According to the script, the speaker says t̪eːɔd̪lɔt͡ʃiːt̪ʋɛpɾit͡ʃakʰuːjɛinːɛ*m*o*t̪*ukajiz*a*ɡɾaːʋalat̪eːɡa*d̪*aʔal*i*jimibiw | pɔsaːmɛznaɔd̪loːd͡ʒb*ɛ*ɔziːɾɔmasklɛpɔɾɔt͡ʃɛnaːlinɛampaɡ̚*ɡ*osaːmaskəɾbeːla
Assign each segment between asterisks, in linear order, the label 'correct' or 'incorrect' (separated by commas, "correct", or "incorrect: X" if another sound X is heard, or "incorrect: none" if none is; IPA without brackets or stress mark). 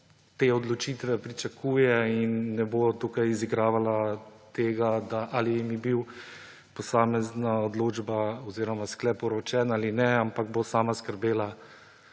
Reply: incorrect: b, correct, incorrect: i, correct, correct, incorrect: a, incorrect: b